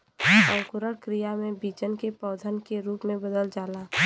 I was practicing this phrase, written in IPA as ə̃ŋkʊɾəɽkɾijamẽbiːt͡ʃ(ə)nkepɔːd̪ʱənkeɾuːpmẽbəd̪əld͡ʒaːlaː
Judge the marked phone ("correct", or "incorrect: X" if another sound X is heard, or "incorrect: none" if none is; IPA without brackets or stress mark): correct